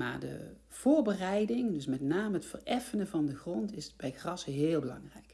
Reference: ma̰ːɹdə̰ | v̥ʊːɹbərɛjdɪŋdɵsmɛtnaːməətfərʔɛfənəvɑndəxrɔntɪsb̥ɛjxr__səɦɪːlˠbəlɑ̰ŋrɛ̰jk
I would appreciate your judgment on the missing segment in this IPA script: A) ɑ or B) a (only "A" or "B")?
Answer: A